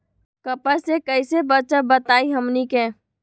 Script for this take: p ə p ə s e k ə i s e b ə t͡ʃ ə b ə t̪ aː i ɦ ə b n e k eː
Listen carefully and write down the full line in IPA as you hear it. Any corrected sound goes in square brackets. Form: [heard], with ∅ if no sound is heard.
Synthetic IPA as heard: [k] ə p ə s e k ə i s e b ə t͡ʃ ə b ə t̪ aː i ɦ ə [m] n [i] k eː